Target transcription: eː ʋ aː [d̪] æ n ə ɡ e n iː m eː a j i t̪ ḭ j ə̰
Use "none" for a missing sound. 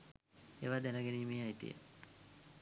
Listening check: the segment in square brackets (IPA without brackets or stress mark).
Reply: d̪